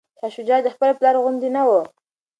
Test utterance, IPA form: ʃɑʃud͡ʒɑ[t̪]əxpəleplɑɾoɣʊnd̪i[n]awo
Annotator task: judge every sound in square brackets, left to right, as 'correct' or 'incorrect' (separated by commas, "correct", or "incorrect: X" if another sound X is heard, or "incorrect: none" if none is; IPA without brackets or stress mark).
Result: incorrect: d̪, correct